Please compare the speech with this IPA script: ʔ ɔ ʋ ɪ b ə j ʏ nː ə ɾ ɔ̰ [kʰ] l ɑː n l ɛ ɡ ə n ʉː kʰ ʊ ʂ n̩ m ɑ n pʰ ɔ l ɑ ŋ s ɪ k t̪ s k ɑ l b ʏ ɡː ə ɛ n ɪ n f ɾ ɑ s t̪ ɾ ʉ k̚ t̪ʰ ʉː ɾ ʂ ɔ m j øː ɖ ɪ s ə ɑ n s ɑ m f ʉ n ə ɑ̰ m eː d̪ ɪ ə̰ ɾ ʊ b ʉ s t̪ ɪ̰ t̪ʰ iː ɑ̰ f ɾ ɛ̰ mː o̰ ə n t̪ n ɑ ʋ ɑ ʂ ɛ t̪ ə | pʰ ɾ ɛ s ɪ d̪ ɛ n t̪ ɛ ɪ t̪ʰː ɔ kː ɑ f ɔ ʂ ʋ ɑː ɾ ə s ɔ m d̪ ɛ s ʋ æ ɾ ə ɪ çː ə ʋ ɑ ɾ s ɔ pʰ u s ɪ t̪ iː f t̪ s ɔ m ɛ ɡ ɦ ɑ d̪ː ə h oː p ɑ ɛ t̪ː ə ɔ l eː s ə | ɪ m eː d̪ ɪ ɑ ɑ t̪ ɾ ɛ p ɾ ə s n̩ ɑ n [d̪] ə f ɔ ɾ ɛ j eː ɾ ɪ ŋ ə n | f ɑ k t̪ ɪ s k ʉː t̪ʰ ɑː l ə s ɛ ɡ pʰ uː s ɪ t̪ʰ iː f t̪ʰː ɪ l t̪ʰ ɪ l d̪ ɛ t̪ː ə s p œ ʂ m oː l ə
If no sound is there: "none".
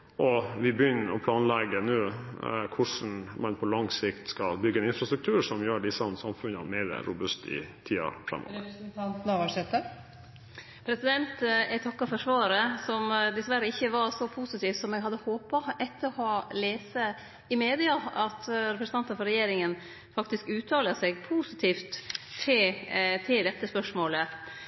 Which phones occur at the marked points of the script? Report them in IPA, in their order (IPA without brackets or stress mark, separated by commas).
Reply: pʰ, t̪